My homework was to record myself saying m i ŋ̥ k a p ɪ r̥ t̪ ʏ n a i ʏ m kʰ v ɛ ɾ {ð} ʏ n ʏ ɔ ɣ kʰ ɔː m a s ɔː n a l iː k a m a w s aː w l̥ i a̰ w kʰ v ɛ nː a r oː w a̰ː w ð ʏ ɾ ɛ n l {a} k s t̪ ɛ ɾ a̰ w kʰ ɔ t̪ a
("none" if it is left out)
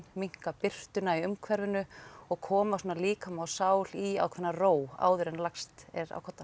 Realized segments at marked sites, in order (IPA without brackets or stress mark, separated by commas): v, a